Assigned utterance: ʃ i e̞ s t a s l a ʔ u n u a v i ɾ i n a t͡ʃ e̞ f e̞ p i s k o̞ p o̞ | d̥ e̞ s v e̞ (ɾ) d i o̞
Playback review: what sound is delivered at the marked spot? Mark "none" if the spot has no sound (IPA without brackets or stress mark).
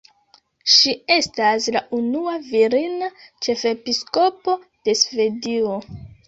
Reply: none